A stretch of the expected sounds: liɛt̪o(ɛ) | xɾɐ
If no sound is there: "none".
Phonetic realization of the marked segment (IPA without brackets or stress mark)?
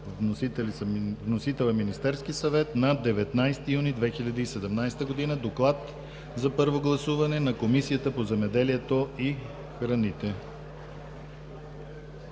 i